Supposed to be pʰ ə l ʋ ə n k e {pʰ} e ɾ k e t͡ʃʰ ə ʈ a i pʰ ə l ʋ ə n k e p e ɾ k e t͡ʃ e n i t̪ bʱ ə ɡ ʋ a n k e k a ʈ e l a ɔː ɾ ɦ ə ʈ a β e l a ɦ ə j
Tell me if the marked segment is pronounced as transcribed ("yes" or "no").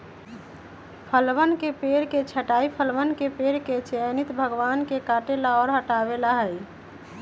no